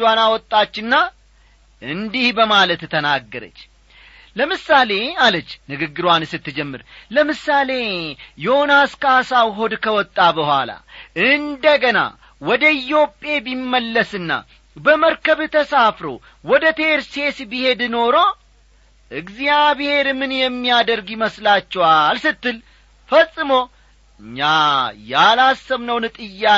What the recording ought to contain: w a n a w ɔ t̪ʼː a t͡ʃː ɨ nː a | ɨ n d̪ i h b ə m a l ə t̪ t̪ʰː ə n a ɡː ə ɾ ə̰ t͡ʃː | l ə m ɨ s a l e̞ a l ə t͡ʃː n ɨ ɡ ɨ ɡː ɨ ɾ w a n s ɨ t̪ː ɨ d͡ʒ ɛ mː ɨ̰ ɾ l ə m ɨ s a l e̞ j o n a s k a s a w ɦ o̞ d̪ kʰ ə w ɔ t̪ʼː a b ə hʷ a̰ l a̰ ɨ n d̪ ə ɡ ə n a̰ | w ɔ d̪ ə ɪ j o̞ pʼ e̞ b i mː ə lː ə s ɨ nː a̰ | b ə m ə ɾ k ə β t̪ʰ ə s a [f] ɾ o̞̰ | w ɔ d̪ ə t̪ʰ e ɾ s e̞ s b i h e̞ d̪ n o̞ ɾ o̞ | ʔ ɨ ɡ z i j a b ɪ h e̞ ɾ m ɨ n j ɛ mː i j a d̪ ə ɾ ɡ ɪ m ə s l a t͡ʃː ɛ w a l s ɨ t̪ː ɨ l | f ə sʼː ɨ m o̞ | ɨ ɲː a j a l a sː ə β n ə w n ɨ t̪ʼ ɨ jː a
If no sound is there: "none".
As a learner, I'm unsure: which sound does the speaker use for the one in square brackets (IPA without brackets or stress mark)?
f